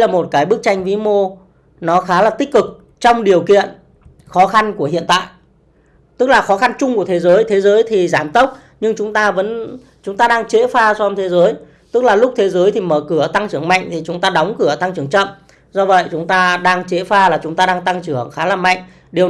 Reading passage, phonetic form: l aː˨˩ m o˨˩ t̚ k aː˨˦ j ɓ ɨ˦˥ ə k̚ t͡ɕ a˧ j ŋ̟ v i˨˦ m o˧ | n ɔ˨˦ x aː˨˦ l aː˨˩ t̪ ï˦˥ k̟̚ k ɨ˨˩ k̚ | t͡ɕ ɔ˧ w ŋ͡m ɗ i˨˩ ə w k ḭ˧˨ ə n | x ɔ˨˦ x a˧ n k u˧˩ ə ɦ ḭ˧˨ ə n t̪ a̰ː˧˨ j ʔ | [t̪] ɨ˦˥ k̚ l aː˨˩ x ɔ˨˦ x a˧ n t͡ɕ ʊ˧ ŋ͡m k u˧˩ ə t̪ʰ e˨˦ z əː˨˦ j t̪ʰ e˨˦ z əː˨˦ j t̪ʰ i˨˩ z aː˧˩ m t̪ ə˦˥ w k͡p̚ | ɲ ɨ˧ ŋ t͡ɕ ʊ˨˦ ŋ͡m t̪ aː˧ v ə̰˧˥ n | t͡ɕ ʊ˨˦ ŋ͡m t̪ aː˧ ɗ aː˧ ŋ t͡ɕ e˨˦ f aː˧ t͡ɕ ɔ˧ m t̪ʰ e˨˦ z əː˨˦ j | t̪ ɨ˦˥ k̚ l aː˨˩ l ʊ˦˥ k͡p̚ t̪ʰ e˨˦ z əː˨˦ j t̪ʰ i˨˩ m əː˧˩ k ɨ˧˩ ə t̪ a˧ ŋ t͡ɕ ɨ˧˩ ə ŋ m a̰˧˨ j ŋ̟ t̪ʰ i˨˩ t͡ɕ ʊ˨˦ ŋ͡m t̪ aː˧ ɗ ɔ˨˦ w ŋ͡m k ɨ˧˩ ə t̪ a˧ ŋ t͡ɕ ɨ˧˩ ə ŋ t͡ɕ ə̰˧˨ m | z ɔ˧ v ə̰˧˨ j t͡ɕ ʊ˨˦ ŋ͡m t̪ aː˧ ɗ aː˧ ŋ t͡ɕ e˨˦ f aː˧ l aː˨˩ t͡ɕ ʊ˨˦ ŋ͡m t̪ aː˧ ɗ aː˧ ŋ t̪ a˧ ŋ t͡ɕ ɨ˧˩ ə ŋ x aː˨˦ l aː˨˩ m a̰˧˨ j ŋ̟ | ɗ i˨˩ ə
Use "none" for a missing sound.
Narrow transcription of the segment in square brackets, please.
t̪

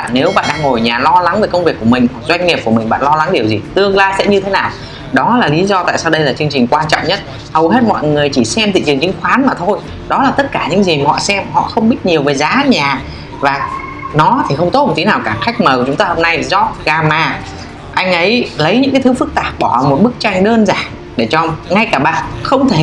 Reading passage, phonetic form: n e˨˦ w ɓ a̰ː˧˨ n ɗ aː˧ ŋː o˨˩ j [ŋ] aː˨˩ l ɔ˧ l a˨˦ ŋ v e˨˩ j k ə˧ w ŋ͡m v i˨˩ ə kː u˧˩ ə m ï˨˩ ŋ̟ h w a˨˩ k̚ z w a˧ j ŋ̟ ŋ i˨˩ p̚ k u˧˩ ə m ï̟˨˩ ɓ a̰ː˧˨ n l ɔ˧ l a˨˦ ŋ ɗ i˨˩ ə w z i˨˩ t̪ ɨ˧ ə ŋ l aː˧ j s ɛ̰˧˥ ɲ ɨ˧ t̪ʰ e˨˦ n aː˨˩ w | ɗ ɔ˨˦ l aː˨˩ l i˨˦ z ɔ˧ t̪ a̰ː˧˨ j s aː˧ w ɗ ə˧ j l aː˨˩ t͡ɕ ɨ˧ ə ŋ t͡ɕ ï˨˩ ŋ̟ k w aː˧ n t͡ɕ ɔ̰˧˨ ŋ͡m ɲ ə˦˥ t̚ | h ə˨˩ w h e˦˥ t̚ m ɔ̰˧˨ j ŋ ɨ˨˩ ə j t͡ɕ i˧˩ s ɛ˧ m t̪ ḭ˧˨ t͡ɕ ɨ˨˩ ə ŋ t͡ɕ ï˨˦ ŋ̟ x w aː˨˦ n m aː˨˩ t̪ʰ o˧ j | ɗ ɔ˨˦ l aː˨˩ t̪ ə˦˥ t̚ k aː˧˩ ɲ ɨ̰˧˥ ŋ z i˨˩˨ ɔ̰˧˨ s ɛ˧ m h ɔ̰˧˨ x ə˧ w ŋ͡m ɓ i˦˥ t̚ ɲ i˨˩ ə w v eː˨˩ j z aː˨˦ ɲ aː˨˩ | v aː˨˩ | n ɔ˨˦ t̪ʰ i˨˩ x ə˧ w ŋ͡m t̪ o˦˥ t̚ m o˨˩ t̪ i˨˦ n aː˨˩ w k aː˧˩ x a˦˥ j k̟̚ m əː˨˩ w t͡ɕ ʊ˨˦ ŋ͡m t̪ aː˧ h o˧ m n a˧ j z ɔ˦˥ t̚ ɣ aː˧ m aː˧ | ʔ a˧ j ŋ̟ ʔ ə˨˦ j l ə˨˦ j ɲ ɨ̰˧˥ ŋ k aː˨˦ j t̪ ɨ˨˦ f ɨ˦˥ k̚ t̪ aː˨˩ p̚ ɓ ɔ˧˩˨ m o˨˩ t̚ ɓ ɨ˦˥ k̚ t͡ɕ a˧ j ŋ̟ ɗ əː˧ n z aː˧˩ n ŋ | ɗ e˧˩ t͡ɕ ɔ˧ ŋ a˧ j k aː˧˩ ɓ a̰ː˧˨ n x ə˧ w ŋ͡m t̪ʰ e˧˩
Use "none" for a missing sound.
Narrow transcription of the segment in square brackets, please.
ɲ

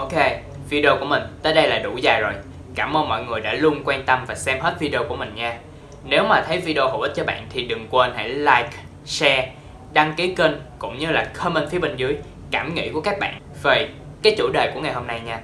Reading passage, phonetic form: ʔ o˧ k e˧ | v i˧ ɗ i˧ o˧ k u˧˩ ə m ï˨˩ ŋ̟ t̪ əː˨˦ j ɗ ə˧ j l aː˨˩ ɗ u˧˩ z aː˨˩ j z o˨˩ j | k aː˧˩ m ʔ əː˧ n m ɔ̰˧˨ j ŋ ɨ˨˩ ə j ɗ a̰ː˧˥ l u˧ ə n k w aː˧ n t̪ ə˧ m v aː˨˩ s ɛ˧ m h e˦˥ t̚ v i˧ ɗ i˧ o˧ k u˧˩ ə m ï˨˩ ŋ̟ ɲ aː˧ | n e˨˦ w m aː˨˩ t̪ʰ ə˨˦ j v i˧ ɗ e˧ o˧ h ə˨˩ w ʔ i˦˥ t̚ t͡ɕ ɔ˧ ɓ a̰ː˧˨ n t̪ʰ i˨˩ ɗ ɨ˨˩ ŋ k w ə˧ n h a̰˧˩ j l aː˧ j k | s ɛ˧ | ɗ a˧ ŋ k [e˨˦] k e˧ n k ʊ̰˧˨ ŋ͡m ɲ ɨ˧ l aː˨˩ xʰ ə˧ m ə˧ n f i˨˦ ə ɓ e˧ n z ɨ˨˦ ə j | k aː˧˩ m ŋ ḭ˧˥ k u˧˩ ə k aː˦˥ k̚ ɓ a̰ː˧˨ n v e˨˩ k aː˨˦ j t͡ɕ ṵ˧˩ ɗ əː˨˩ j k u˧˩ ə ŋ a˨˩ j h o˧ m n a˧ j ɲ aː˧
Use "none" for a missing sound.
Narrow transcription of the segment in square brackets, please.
i˨˦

